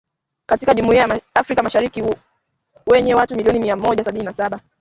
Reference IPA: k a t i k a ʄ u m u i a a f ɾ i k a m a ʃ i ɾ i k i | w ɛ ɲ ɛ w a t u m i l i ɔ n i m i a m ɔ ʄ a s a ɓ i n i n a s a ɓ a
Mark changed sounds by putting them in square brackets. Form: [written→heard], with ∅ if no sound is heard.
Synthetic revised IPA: k a t i k a ʄ u m u i a a f ɾ i k a m a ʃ [i→a] ɾ i k i | w ɛ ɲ ɛ w a t u m i l i ɔ n i m i a m ɔ ʄ a s a ɓ i n i n a s a ɓ a